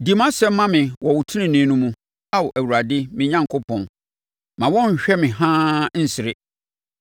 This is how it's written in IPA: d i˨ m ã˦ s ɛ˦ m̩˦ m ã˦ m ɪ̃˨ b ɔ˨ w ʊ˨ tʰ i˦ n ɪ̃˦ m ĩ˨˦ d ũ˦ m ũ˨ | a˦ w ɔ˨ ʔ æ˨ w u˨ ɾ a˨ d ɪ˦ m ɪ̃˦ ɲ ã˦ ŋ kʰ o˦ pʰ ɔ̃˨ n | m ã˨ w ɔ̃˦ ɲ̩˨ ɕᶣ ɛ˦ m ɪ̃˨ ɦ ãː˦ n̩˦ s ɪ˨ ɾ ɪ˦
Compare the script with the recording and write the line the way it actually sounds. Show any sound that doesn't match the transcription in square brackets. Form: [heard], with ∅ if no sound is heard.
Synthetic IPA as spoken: d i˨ m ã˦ s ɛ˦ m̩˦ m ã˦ m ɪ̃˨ [w] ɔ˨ w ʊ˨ tʰ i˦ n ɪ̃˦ [n] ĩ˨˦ [n] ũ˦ m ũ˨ | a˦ w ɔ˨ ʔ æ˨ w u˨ ɾ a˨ d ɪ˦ m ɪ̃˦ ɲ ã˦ ŋ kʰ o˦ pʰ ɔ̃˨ n | m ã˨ w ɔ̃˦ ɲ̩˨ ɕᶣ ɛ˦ m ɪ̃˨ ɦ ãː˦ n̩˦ s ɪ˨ ɾ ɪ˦